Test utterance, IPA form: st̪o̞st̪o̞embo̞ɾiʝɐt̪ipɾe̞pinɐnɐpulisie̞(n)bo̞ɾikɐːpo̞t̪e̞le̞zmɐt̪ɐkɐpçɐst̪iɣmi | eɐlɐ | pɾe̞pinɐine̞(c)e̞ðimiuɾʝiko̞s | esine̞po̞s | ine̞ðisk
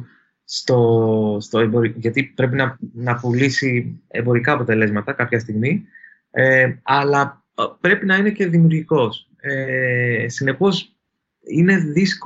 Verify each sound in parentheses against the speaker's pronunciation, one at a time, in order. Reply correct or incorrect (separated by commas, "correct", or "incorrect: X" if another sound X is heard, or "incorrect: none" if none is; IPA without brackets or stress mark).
incorrect: m, correct